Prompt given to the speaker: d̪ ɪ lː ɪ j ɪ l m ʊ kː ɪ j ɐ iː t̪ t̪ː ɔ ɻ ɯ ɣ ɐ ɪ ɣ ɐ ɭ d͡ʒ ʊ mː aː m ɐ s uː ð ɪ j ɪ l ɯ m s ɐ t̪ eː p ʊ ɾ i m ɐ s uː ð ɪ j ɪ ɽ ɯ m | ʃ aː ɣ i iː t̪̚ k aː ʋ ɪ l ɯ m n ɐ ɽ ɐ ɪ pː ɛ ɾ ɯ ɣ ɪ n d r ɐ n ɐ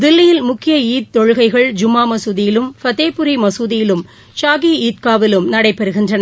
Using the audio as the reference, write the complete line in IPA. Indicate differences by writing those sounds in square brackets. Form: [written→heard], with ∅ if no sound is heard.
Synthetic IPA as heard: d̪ ɪ lː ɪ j ɪ l m ʊ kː ɪ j ɐ iː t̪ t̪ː ɔ ɻ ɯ ɣ ɐ ɪ ɣ ɐ ɭ d͡ʒ ʊ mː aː m ɐ s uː ð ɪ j ɪ l ɯ m [s→f] ɐ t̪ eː p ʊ ɾ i m ɐ s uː ð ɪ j ɪ [ɽ→l] ɯ m | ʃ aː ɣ i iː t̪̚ k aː ʋ ɪ l ɯ m n ɐ ɽ ɐ ɪ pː ɛ ɾ ɯ ɣ ɪ n d r ɐ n ɐ